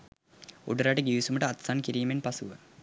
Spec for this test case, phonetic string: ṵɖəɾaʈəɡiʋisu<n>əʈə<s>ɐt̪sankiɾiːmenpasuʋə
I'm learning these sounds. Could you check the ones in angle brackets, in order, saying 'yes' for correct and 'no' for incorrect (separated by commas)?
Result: no, no